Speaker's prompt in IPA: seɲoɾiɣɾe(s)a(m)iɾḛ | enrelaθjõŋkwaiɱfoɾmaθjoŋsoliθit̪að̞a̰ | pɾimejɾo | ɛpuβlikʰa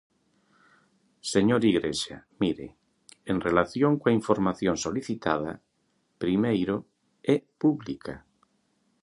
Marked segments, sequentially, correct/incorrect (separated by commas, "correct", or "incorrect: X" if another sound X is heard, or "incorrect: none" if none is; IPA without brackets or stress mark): incorrect: ʃ, correct